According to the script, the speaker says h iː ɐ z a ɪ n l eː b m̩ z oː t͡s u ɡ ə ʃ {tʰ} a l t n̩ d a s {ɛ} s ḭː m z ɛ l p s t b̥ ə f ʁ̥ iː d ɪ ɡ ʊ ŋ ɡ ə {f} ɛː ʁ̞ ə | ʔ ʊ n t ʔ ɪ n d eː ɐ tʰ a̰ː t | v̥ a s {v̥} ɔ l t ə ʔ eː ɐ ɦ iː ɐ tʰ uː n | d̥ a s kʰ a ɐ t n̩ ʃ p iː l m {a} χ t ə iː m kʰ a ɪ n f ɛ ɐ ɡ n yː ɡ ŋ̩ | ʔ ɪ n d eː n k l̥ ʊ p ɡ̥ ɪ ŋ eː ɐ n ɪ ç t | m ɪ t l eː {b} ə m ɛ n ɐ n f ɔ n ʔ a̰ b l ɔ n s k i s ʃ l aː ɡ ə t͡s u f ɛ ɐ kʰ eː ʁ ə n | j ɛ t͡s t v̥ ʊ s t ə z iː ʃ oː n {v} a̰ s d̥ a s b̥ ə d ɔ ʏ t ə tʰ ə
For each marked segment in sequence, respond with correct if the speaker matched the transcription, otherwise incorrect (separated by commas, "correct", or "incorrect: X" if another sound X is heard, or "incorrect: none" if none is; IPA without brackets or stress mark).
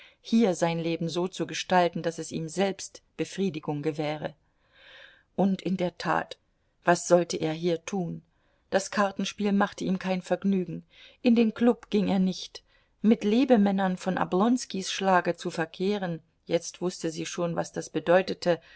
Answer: incorrect: t, correct, incorrect: v, incorrect: z̥, correct, correct, correct